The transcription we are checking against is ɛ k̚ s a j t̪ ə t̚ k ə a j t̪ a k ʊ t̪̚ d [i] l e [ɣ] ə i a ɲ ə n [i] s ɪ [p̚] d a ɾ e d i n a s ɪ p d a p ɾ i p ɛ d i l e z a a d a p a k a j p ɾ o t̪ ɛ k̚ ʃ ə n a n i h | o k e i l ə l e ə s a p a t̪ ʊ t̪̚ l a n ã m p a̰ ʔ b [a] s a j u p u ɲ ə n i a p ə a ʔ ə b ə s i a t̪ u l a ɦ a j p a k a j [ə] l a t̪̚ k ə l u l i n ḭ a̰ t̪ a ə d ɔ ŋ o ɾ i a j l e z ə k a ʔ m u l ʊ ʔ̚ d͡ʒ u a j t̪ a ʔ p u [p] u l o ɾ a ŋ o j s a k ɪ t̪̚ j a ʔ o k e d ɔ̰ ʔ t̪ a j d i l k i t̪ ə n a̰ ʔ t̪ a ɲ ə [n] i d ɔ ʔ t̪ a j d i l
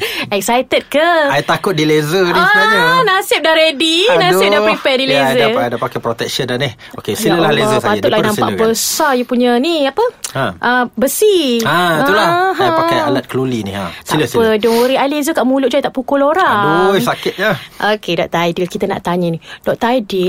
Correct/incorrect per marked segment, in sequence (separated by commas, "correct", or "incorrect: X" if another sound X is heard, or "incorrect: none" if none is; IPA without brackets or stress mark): correct, incorrect: z, incorrect: a, correct, incorrect: ə, incorrect: a, incorrect: k, correct